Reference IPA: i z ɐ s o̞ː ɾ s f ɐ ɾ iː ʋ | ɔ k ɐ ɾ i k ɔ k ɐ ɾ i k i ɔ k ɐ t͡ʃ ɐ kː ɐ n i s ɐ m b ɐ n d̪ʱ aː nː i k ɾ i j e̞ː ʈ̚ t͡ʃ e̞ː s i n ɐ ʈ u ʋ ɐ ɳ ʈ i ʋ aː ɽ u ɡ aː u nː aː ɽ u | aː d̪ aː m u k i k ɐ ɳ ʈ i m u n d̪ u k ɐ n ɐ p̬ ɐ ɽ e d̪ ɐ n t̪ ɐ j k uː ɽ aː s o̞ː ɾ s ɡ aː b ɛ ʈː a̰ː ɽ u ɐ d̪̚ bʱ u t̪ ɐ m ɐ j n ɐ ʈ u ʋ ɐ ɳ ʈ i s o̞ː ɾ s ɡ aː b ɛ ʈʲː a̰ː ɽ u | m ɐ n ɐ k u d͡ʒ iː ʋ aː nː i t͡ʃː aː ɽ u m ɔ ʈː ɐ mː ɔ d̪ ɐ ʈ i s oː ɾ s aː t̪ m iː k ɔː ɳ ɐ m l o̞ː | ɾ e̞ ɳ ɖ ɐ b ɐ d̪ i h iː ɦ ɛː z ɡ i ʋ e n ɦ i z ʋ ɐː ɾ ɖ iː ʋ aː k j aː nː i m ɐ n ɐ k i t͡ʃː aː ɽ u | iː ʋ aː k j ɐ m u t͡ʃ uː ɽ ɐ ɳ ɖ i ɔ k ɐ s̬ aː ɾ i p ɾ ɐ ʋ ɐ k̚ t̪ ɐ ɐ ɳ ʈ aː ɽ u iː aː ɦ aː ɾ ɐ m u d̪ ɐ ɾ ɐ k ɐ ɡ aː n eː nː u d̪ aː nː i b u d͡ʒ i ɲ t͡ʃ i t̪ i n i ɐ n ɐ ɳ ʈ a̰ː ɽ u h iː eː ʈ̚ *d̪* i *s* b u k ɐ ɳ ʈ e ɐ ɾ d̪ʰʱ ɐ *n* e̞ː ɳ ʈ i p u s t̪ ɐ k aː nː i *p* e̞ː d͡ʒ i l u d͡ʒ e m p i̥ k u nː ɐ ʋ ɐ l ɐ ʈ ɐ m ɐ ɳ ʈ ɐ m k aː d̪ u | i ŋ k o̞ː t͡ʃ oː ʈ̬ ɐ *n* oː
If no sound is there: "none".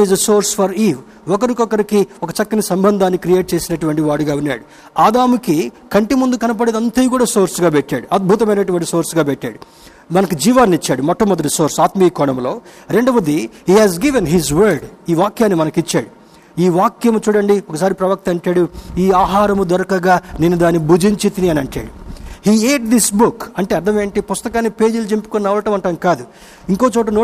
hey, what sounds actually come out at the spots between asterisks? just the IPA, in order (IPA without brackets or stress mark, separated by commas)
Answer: d̪, s, m, p, n